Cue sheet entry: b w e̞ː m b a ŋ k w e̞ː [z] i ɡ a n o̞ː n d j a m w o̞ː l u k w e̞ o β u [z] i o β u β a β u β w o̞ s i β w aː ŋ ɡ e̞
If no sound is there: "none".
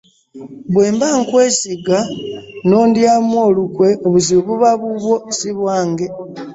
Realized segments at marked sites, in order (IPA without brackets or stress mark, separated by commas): s, z